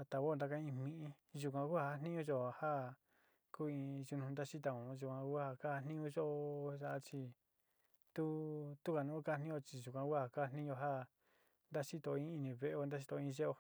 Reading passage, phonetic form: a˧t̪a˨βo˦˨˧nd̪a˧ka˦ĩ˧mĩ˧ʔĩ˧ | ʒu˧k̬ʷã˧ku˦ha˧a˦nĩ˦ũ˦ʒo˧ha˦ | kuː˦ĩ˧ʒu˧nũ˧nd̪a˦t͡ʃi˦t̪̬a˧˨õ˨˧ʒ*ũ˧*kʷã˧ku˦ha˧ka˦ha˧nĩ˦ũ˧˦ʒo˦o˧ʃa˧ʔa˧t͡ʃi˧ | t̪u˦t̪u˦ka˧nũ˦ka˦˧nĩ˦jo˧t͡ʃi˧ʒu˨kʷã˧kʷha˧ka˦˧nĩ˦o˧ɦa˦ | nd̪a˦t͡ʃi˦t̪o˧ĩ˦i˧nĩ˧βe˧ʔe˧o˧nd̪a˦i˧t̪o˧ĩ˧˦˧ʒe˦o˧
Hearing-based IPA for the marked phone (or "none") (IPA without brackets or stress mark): u˧